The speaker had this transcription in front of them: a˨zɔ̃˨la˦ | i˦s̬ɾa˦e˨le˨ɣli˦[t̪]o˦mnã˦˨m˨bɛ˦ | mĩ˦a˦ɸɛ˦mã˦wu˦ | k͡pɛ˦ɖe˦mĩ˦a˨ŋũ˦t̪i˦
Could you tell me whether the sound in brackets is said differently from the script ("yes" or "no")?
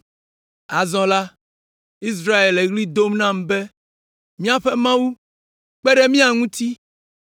yes